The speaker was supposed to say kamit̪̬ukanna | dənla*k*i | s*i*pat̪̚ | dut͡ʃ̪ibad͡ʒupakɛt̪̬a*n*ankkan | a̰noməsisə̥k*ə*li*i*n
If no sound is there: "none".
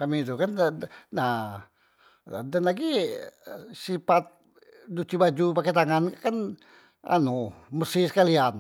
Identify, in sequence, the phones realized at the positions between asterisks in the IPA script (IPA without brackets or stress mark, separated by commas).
ɡ, i, ŋ, a, a